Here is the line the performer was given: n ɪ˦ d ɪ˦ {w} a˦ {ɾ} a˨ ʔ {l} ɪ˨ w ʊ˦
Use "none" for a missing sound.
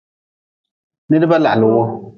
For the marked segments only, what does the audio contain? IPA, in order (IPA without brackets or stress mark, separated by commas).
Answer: b, l, l